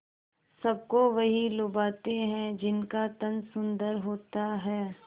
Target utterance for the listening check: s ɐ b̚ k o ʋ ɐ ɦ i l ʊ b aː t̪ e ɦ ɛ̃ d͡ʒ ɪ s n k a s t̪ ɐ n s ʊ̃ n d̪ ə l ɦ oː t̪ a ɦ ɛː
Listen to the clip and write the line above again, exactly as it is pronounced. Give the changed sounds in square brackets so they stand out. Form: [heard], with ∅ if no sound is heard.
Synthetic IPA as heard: s ɐ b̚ k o ʋ ɐ ɦ i l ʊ b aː t̪ e ɦ ɛ̃ d͡ʒ ɪ [∅] n k a [∅] t̪ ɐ n s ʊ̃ n d̪ ə [ɾ] ɦ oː t̪ a ɦ ɛː